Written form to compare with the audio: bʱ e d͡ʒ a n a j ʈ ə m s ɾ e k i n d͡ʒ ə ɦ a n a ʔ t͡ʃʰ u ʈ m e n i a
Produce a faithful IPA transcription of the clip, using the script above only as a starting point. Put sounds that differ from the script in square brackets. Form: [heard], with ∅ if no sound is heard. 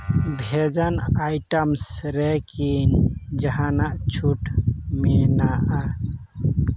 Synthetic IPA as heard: bʱ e d͡ʒ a n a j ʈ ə m s ɾ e k i n d͡ʒ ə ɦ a n a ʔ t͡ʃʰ u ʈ m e n [a] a